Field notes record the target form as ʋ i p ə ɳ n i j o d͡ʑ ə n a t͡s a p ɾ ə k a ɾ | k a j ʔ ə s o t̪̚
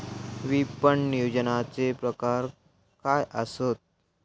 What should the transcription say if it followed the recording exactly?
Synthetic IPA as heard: ʋ i p ə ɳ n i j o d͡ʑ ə n a t͡s e p ɾ ə k a ɾ | k a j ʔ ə s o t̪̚